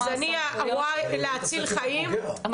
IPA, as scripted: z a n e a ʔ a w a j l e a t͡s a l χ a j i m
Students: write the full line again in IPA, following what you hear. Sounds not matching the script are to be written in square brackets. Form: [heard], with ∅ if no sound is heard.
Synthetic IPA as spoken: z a n [i] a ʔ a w a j l e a t͡s [i] l χ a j i m